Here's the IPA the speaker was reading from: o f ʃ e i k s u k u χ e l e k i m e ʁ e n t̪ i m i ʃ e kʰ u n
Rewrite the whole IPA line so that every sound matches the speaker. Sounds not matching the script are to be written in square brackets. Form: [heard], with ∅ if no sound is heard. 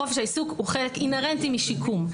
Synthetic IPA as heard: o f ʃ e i [∅] s u k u χ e l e k i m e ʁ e n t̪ i m i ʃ [i] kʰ u [m]